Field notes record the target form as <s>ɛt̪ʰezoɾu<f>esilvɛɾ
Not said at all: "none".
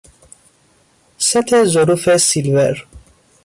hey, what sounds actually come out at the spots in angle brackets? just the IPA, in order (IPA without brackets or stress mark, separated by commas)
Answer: s, f